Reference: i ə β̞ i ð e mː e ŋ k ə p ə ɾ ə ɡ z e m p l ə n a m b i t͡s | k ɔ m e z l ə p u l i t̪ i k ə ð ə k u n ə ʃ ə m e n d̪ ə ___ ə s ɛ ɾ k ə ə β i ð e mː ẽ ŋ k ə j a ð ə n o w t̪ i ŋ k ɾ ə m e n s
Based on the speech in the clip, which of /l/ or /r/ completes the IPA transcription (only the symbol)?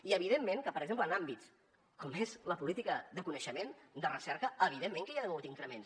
r